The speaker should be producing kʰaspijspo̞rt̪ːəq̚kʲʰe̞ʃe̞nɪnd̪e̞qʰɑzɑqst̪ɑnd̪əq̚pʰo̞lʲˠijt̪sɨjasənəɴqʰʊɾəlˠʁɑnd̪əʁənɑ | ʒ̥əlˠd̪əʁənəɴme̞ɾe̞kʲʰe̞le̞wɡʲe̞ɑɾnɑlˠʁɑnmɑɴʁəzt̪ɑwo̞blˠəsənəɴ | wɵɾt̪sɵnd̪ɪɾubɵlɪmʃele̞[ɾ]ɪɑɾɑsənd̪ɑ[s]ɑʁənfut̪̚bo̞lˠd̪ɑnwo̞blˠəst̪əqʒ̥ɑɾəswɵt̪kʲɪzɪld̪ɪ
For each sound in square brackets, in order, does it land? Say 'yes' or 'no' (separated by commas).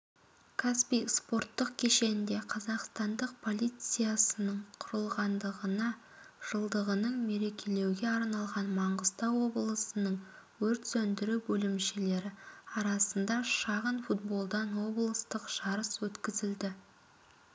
yes, no